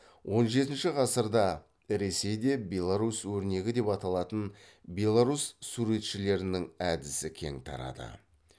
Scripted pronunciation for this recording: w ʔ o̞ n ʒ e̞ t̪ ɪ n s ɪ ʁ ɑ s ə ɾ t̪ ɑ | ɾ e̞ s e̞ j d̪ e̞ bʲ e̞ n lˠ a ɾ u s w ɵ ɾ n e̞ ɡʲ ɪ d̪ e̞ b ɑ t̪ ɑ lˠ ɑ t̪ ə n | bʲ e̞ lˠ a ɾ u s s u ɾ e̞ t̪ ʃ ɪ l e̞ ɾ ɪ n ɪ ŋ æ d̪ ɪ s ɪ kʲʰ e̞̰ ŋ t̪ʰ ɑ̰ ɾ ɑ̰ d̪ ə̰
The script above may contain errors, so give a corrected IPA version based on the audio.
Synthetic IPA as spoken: w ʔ o̞ n ʒ e̞ t̪ ɪ n ʃ ɪ ʁ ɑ s ə ɾ d̪ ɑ | ɾ e̞ s e̞ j d̪ e̞ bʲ e̞ lˠ a ɾ u s w ɵ ɾ n e̞ ɡʲ ɪ d̪ e̞ p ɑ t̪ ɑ lˠ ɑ t̪ ə n | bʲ e̞ lˠ a ɾ u s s u ɾ e̞ t̪ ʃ ɪ l e̞ ɾ ɪ n ɪ ŋ æ d̪ ɪ s ɪ kʲʰ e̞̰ ŋ t̪ʰ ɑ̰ ɾ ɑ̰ d̪ ə̰